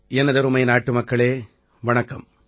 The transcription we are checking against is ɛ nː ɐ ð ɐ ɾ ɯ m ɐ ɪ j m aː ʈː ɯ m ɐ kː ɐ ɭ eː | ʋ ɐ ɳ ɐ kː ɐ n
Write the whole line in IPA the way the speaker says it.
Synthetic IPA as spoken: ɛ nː ɐ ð ɐ ɾ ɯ m ɐ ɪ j n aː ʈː ɯ m ɐ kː ɐ ɭ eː | ʋ ɐ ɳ ɐ kː ɐ m